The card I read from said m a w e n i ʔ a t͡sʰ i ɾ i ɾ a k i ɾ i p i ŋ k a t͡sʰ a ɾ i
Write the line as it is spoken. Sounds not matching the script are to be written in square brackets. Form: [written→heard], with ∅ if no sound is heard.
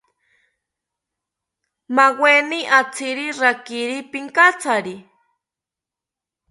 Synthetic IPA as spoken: m a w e n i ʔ a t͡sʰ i ɾ i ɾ a k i ɾ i p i ŋ k a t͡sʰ a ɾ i